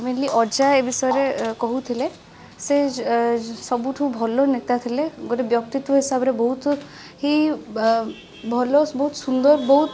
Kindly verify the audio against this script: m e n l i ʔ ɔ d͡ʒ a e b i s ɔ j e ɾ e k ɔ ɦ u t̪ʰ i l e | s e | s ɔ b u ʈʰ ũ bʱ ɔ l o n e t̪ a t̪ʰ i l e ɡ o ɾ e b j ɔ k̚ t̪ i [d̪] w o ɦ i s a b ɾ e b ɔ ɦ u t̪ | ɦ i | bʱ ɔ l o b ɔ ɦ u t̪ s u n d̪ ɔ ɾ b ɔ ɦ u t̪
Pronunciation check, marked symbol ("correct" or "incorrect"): incorrect